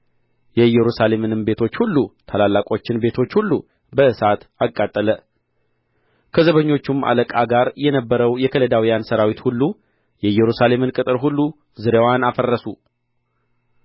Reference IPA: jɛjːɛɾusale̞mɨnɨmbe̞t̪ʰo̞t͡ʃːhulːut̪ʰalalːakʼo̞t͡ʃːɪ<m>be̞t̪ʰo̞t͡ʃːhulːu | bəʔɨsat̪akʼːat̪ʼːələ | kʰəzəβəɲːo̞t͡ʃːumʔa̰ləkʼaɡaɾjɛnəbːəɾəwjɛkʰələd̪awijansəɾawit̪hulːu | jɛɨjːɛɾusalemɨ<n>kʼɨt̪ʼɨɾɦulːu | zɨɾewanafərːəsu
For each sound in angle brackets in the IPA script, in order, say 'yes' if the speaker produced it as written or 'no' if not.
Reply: no, yes

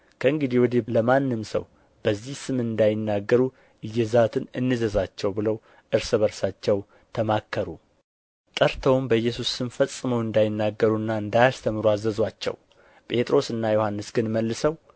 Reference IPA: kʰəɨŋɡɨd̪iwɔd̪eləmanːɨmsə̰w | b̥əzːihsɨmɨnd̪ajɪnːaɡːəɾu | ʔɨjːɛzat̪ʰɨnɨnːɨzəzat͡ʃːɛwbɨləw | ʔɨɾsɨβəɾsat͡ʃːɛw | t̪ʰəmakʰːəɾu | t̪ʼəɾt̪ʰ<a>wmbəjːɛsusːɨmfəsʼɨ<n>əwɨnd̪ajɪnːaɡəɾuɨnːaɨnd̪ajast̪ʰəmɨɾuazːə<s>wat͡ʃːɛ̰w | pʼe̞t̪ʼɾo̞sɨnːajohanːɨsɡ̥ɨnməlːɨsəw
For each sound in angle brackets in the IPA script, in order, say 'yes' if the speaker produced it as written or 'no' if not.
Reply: no, no, no

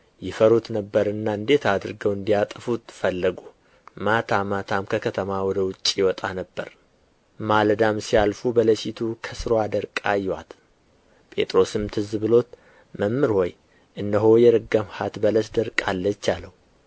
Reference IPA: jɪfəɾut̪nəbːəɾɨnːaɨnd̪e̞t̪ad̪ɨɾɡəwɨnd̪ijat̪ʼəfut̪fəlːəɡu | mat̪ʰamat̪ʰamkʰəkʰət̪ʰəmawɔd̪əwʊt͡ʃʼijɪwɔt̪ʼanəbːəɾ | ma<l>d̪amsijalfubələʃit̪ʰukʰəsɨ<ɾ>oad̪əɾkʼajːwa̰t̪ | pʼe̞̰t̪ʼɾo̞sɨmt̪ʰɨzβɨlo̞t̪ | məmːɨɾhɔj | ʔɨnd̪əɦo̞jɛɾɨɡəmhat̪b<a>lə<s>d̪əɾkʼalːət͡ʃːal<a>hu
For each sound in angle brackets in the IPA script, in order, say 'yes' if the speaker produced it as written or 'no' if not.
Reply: yes, yes, no, yes, no

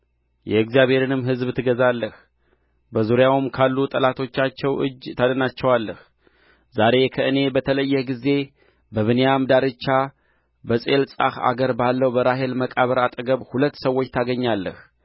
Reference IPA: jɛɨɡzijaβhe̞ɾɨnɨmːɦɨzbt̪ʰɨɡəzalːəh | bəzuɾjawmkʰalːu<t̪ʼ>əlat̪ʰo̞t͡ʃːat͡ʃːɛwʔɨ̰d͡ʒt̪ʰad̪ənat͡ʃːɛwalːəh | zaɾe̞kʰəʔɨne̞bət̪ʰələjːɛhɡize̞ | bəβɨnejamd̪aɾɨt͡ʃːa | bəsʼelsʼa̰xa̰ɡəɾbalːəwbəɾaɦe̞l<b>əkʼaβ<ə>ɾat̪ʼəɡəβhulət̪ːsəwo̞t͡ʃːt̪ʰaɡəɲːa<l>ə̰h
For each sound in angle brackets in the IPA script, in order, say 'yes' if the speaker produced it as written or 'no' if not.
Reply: yes, no, yes, no

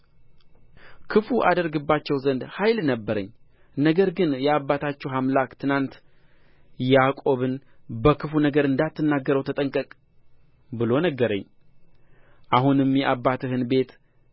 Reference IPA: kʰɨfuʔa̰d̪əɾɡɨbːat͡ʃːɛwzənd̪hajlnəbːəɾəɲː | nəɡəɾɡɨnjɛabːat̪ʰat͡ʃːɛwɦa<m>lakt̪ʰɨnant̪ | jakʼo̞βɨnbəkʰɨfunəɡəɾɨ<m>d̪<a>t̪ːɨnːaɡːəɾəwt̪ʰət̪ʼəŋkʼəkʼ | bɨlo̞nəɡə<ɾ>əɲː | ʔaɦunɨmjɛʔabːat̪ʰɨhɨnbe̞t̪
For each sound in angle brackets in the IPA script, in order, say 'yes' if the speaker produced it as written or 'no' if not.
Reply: yes, no, yes, yes

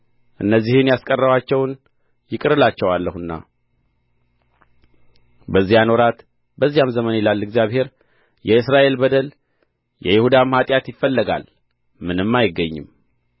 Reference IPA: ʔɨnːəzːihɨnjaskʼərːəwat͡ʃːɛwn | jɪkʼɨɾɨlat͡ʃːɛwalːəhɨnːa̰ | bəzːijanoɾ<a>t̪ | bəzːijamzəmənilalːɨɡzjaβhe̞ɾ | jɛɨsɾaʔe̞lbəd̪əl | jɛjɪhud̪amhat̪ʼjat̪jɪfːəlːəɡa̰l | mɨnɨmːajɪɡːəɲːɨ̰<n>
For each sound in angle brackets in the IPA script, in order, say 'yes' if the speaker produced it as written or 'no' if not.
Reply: yes, no

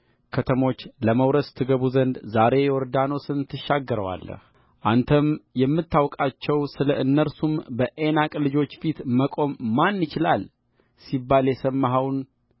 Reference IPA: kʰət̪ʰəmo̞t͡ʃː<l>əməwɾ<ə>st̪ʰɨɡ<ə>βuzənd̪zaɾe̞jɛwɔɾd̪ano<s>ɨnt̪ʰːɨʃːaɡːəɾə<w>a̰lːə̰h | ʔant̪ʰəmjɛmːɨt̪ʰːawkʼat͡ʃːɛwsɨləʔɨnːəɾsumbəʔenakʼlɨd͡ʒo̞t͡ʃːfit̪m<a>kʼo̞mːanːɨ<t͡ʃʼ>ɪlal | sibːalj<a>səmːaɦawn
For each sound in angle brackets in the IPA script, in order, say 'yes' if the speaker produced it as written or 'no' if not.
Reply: yes, yes, yes, yes, yes, no, no, no

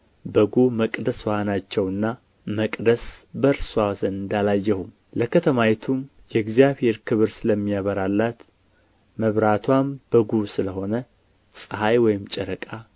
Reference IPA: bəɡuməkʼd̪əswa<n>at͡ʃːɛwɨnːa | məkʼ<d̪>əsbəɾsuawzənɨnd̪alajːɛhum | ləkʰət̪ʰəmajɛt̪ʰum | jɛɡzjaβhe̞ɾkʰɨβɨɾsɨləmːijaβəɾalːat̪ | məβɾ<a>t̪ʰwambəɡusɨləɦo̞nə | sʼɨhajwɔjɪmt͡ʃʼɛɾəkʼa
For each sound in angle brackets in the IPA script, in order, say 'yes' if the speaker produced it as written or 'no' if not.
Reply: yes, yes, yes

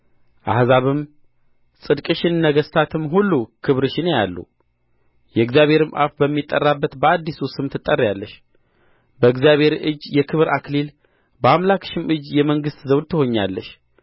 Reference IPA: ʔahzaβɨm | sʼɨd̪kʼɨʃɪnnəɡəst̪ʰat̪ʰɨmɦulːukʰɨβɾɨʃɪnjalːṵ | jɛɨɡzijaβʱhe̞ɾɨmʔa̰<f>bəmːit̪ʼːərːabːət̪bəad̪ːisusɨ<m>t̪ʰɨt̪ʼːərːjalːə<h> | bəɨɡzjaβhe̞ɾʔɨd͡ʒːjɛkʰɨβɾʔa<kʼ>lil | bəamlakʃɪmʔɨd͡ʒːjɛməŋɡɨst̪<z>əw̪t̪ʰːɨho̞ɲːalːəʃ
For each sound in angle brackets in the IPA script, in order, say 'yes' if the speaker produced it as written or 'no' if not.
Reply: yes, yes, no, no, yes

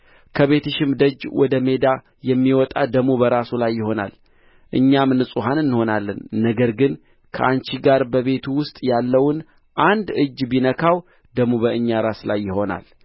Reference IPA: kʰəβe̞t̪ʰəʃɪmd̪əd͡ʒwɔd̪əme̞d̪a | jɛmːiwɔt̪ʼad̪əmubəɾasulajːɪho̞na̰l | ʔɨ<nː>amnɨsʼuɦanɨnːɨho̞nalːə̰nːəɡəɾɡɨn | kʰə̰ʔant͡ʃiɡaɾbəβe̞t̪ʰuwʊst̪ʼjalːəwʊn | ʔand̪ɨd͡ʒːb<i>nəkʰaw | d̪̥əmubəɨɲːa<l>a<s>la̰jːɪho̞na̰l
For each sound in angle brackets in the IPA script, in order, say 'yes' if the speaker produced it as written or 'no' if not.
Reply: no, yes, no, yes

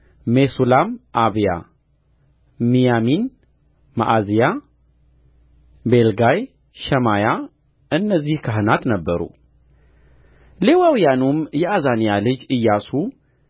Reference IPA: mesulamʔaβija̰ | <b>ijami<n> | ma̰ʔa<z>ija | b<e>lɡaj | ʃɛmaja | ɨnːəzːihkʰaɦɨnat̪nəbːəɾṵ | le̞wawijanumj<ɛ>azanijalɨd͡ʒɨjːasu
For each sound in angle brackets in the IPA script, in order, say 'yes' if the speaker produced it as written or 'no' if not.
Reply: no, yes, yes, yes, yes

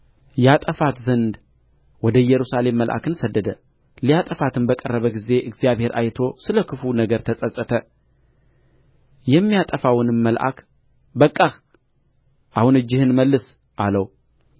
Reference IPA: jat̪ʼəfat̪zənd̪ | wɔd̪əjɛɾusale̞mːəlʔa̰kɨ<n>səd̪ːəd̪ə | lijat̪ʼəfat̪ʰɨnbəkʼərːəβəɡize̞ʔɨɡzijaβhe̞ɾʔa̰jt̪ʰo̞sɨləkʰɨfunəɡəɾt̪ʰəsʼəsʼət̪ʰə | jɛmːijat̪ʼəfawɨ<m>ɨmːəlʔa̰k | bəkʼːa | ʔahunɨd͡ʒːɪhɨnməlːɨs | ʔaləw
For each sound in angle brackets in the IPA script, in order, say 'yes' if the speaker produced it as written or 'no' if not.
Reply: yes, no

